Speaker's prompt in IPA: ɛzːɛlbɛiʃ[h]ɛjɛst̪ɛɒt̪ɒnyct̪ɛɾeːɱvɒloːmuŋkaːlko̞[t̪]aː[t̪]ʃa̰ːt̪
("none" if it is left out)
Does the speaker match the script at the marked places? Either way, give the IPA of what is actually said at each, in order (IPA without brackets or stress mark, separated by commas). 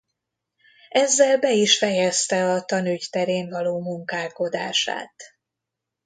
f, d̪, none